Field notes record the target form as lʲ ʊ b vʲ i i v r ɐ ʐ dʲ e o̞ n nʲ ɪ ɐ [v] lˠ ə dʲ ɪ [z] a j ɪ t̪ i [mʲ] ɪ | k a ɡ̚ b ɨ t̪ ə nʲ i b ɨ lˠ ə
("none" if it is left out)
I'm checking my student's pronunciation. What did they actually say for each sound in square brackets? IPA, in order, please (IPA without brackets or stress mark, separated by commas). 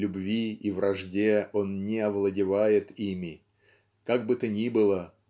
v, v, mʲ